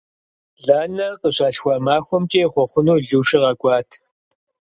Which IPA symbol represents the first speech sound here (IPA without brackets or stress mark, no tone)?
ɮ